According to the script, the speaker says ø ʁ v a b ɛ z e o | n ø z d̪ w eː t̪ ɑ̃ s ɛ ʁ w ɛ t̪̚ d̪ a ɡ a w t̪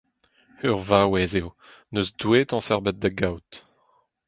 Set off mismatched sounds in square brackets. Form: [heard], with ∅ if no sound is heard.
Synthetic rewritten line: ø ʁ v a [w] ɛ z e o | n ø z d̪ w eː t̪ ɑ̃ s ɛ ʁ [b] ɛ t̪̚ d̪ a ɡ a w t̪

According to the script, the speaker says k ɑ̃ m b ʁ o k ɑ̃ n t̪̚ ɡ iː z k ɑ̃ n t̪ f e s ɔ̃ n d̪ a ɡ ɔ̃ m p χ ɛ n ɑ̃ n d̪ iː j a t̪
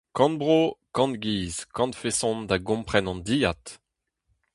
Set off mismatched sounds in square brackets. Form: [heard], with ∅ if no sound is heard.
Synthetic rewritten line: k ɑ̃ [n] b ʁ o k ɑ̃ n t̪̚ ɡ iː z k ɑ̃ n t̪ f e s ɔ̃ n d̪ a ɡ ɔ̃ m p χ ɛ n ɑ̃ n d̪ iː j a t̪

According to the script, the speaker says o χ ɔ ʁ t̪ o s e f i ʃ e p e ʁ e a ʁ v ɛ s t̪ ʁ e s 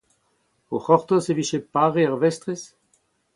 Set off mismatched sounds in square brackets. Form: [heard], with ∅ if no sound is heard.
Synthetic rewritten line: o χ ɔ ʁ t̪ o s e [v] i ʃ e p [a] ʁ e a ʁ v ɛ s t̪ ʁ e s

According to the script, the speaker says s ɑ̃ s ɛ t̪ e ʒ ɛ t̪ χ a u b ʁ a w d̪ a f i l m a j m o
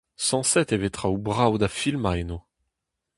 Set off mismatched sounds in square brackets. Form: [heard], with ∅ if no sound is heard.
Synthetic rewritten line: s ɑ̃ s ɛ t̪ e [v] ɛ t̪ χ a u b ʁ a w d̪ a f i l m a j [n] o

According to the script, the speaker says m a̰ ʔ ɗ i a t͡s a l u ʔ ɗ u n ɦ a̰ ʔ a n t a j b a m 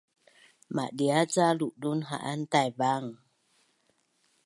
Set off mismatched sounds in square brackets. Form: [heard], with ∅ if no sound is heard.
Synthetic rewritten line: m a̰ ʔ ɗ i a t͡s a l u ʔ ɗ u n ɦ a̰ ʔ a n t a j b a [ŋ]

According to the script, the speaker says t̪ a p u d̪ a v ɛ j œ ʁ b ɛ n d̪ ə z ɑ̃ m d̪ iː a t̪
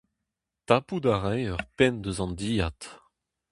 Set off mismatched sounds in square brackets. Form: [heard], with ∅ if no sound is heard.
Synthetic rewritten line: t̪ a p u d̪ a [ʁ] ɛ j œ ʁ [p] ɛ n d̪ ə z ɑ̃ [n] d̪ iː a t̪

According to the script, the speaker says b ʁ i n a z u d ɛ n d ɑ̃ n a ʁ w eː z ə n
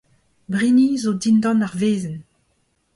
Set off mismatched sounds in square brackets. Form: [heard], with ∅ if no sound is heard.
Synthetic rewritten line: b ʁ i n [i] z [o] d [i] n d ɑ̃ n a ʁ [v] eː z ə n

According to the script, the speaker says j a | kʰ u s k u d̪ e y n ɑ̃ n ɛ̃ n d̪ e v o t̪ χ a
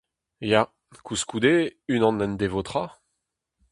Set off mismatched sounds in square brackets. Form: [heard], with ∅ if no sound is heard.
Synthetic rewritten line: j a | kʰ u s k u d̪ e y n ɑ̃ n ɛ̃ n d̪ e v o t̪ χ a

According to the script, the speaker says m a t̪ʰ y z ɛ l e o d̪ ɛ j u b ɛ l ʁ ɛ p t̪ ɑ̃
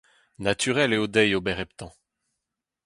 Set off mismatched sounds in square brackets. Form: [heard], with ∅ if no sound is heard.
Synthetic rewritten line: [n] a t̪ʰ y [ʁ] ɛ l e o d̪ ɛ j [o] b ɛ [∅] ʁ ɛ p t̪ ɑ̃

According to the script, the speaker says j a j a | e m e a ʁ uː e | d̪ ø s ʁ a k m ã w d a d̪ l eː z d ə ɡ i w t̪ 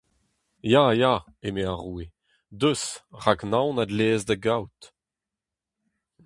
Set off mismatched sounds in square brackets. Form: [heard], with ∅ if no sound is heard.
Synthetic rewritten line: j a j a | e m e a ʁ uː e | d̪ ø s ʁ a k [n] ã w [n] a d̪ l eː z d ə ɡ [a] w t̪

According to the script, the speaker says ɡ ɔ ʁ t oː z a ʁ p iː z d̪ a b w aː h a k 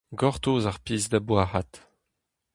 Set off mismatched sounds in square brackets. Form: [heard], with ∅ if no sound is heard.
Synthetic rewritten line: ɡ ɔ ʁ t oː z a ʁ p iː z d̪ a b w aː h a [t]

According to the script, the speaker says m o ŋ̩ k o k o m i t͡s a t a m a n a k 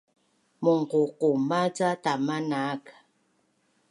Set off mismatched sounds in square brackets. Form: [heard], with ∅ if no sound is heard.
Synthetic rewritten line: m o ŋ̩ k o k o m [a] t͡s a t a m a n a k

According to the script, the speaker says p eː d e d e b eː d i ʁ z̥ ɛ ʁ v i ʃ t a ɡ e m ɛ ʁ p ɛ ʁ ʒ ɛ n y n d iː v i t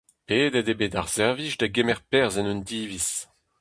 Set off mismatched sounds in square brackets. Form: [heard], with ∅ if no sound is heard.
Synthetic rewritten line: p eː d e d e b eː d [a] ʁ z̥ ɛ ʁ v i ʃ [d] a ɡ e m ɛ ʁ p ɛ ʁ [z] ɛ n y n d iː v i [s]

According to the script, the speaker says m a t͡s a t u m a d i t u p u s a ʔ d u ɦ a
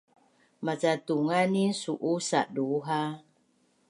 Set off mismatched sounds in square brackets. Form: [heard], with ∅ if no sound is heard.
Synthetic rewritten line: m a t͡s a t u [ŋ] a [n] i [s] u [ʔ] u s a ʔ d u ɦ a

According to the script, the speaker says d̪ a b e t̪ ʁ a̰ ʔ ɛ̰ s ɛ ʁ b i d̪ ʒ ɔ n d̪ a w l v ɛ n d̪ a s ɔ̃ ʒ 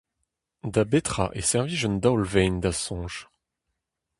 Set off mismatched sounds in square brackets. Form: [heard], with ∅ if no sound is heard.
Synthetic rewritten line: d̪ a b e t̪ [χ] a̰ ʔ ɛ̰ s ɛ ʁ [v] i [∅] ʒ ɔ n d̪ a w l v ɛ n d̪ a s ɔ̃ ʒ

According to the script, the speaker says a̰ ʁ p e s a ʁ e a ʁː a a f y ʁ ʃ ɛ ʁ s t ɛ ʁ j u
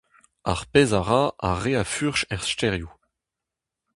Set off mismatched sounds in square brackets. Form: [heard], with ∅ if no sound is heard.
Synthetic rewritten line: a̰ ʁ p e [z] a ʁ [a] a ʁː [e] a f y ʁ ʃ ɛ ʁ s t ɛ ʁ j u

